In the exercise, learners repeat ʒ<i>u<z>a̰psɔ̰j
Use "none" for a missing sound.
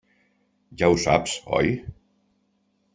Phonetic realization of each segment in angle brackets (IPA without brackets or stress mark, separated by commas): a, s